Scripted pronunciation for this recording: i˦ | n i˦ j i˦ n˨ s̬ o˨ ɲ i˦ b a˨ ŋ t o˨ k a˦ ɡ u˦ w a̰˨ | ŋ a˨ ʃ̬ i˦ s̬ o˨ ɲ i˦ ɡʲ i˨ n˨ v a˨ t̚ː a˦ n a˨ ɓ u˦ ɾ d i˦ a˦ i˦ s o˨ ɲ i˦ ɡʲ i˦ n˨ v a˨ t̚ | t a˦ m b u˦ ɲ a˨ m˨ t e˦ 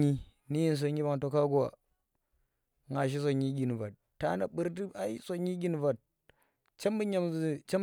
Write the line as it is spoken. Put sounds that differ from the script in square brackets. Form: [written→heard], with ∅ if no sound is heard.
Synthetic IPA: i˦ | n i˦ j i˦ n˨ s̬ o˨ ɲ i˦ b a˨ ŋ t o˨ k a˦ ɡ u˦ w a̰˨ | ŋ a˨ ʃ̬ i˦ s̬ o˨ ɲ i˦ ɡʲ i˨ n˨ v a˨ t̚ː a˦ n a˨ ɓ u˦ ɾ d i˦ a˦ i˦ s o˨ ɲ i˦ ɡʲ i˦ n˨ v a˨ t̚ | [t→t͡ʃ] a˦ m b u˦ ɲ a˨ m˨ [t→t͡ʃ] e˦